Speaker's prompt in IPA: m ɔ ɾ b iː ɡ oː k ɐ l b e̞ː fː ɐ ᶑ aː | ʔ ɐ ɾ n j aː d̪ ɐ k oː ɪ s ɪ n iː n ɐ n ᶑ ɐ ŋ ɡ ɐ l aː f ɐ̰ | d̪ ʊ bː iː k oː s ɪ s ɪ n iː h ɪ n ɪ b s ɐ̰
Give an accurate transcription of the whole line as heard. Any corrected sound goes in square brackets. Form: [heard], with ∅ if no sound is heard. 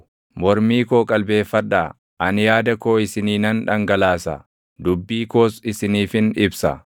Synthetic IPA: m ɔ ɾ [m] iː [k] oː [kʼ] ɐ l b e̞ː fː ɐ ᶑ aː | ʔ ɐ [∅] n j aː d̪ ɐ k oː ɪ s ɪ n iː n ɐ n ᶑ ɐ ŋ ɡ ɐ l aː [s] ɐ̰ | d̪ ʊ bː iː k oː s ɪ s ɪ n iː [f] ɪ n ɪ b s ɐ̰